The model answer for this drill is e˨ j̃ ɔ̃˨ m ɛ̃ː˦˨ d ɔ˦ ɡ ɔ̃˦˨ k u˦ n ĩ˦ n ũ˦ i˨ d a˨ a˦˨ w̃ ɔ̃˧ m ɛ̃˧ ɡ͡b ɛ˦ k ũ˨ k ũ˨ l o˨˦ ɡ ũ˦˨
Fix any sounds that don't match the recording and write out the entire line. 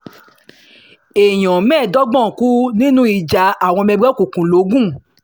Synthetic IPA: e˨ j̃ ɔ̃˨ m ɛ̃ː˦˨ d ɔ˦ ɡ͡b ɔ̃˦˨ k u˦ n ĩ˦ n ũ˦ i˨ d͡ʒ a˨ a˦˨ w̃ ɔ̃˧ m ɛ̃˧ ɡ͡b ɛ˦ k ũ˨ k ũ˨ l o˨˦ ɡ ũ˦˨